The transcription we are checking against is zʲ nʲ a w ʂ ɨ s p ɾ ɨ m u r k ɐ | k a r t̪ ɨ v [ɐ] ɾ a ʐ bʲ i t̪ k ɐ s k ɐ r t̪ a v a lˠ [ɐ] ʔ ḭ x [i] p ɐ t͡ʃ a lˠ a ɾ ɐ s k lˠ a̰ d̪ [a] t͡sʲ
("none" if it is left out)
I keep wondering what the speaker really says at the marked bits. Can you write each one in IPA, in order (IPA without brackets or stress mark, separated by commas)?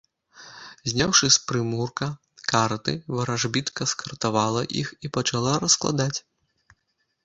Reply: ɐ, ɐ, i, a